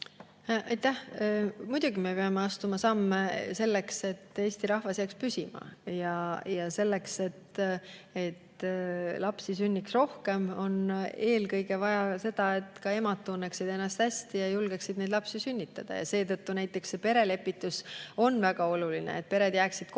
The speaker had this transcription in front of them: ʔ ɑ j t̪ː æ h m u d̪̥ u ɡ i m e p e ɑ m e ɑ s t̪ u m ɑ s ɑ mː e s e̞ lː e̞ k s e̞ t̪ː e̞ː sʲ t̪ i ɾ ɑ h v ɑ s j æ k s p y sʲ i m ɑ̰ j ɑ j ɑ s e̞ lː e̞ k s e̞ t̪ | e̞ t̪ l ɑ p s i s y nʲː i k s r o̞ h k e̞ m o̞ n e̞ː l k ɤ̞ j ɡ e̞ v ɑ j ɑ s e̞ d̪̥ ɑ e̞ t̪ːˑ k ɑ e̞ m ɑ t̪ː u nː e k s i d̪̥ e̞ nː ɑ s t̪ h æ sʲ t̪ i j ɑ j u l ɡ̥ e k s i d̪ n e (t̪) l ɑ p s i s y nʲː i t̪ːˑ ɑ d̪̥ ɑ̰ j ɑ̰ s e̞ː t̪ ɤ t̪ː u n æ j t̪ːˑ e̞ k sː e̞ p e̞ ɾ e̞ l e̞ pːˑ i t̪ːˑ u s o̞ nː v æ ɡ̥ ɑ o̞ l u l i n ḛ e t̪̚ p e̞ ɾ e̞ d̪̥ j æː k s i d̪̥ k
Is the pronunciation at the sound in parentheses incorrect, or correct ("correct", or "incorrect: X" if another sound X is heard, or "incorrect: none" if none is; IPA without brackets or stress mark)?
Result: incorrect: d̪